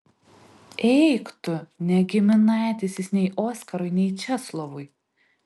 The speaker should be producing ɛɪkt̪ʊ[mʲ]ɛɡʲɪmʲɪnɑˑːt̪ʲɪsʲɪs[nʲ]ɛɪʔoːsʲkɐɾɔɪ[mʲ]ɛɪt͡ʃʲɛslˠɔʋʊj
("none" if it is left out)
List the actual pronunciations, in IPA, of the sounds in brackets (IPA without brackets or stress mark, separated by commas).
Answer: nʲ, nʲ, nʲ